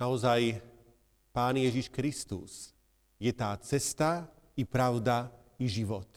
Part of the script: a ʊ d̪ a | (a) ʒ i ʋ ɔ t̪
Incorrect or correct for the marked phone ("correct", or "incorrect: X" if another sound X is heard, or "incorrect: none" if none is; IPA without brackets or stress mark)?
incorrect: i